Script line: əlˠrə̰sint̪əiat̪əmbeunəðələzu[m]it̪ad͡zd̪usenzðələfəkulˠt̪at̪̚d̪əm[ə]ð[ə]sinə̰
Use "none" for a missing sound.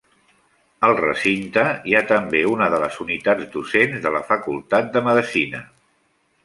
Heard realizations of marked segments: n, ə, ə

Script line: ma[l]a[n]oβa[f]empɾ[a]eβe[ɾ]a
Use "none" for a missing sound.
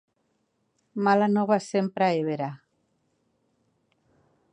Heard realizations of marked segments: l, n, s, a, ɾ

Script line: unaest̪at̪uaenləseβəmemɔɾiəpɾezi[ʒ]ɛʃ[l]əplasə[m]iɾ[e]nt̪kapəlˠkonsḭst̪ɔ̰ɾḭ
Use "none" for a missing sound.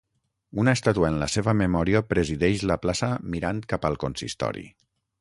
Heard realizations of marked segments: ð, l, m, a

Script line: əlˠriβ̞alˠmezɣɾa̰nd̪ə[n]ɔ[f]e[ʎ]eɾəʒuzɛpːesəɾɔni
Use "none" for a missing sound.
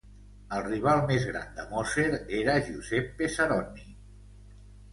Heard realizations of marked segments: m, s, ɾ

